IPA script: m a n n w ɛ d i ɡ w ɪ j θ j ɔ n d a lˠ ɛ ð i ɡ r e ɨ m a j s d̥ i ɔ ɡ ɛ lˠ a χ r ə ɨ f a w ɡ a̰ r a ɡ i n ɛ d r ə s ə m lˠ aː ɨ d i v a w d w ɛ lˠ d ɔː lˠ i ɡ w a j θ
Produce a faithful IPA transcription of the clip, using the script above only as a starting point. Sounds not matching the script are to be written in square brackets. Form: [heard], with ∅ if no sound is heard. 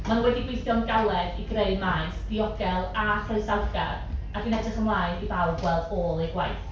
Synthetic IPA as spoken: m a n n w ɛ d i ɡ w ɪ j θ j ɔ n [ɡ] a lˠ ɛ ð i ɡ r e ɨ m a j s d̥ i ɔ ɡ ɛ lˠ a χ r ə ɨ [s] a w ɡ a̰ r a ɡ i n ɛ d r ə [χ] ə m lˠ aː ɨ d i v a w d w ɛ lˠ d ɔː lˠ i ɡ w a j θ